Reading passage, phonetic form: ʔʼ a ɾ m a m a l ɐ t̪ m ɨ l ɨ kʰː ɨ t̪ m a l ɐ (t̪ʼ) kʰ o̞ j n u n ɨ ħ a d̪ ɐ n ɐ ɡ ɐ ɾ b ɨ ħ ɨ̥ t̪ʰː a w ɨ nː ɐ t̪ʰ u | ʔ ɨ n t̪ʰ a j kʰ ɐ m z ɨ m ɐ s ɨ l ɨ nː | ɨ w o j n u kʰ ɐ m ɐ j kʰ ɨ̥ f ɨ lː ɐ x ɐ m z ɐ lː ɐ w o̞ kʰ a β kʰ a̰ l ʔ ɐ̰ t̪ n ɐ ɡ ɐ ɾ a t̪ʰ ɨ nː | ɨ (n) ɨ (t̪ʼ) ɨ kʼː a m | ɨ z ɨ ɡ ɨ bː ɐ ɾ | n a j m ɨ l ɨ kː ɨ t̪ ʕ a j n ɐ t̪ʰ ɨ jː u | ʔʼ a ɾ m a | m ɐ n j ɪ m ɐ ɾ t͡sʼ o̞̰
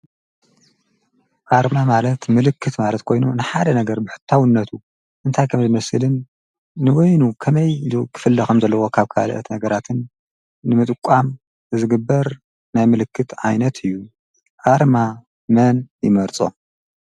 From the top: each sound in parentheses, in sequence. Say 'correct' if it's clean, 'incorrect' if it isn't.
incorrect, incorrect, correct

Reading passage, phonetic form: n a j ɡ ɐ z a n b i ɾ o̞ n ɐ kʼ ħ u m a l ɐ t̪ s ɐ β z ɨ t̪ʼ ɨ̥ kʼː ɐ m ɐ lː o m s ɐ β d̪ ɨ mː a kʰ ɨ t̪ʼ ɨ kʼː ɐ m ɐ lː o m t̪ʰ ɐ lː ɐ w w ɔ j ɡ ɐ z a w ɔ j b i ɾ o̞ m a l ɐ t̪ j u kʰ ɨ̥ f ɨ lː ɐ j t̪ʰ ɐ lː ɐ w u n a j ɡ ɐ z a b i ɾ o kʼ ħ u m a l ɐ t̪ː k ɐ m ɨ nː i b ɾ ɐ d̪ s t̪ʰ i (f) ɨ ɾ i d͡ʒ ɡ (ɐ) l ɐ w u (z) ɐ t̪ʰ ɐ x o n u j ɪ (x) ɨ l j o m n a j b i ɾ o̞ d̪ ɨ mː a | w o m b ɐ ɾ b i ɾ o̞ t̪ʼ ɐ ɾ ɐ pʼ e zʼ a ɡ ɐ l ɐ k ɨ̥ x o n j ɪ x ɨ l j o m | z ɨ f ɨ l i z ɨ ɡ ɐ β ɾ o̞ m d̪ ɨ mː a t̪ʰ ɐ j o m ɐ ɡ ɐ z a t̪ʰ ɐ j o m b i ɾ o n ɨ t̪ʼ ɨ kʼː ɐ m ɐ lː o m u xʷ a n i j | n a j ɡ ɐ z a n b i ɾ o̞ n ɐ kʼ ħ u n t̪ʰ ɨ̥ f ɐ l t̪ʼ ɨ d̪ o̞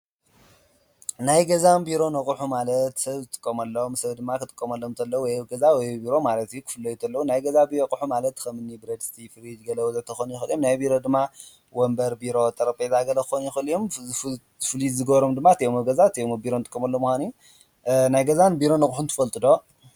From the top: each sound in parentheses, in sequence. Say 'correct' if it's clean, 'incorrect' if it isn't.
correct, correct, correct, correct

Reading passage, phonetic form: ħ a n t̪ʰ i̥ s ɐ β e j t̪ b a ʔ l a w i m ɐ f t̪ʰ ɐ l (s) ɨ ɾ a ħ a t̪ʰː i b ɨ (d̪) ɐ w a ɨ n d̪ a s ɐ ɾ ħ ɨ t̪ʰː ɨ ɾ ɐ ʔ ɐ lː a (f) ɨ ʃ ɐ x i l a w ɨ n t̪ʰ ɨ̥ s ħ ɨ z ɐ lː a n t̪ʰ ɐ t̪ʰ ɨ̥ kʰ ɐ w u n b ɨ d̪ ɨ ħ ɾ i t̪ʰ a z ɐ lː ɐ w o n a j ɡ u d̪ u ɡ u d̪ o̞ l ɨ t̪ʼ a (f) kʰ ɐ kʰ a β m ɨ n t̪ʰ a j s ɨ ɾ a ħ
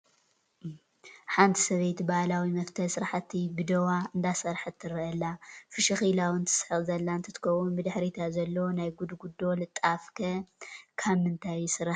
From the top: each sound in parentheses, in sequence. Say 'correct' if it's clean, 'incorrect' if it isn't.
correct, correct, correct, correct

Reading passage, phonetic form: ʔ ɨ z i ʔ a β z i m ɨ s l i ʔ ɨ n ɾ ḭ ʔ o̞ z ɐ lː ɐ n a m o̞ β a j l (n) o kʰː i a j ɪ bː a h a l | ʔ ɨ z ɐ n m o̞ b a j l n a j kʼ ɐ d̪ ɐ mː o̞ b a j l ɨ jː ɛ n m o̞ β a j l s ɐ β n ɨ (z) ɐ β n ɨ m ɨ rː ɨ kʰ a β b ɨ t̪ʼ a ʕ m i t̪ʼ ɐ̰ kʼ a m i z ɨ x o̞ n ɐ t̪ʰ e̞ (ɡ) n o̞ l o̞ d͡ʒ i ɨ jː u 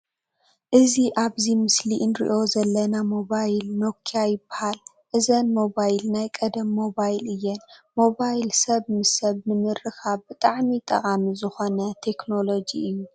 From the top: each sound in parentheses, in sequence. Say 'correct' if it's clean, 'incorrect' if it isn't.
correct, incorrect, incorrect

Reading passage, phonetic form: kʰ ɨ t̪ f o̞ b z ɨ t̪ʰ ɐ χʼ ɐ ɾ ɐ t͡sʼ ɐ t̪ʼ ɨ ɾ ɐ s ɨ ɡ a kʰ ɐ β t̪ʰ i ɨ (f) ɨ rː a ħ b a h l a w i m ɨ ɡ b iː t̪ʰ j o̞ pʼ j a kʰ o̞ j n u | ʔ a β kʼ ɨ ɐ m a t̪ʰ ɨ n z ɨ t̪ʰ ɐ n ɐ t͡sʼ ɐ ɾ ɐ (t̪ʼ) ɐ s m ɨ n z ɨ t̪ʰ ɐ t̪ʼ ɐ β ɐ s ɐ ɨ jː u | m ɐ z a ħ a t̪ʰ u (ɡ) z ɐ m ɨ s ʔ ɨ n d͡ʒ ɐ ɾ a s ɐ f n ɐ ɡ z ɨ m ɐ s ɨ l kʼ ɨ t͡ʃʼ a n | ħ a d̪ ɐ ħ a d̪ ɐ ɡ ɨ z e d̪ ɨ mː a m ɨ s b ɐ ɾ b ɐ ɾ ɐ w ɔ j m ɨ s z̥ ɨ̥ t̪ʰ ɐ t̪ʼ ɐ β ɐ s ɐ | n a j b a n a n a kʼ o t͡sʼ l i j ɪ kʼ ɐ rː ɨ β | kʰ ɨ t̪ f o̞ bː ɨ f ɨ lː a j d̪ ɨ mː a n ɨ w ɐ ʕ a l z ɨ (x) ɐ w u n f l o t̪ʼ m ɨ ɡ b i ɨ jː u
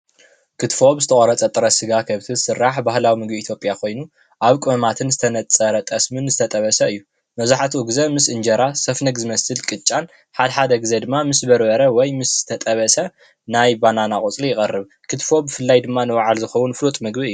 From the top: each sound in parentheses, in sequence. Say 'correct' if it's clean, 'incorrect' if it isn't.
incorrect, correct, correct, correct

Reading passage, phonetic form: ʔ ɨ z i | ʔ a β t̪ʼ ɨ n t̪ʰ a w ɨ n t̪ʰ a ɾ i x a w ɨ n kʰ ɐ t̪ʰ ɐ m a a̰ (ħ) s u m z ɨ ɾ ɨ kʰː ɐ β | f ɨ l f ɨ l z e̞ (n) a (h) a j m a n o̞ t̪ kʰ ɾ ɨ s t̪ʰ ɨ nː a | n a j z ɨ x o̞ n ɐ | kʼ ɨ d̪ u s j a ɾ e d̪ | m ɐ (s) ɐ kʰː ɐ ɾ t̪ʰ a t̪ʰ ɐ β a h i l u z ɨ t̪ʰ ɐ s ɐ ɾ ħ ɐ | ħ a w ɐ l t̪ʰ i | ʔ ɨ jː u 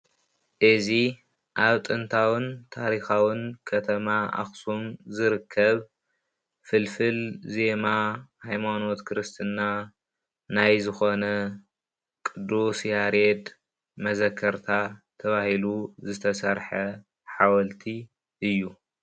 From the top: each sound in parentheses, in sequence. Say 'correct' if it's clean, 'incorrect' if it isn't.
incorrect, incorrect, correct, incorrect

